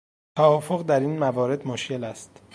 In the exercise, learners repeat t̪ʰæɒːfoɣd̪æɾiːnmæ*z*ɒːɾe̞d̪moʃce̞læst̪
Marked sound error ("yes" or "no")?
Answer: yes